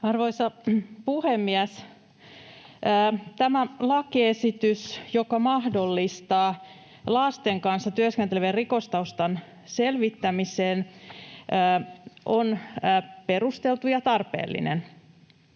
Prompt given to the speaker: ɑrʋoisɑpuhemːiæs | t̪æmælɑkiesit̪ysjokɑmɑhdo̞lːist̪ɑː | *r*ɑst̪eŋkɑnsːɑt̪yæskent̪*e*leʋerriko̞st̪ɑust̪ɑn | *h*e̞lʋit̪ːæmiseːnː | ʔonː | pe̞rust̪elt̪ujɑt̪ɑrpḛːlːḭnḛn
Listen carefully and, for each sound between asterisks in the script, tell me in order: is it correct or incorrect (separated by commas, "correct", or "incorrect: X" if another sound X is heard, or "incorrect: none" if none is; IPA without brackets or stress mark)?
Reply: incorrect: l, correct, incorrect: s